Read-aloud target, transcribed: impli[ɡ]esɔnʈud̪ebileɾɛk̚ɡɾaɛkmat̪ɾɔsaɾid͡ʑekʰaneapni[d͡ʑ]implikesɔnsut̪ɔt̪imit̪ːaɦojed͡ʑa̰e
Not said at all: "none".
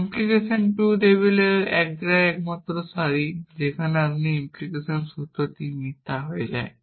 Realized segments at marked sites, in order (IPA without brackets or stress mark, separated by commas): k, none